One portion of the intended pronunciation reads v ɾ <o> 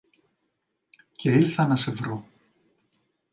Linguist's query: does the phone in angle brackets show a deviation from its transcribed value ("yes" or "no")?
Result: no